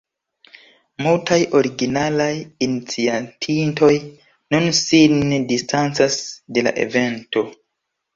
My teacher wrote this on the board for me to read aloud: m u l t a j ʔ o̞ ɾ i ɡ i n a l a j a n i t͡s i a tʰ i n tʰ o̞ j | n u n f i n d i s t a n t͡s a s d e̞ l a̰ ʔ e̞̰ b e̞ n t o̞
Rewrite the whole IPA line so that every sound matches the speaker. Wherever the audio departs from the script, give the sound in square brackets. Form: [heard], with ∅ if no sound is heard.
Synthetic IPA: m u l t a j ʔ o̞ ɾ i ɡ i n a l a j [i] n i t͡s i a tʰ i n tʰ o̞ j | n u n [s] i n d i s t a n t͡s a s d e̞ l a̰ ʔ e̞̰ [v] e̞ n t o̞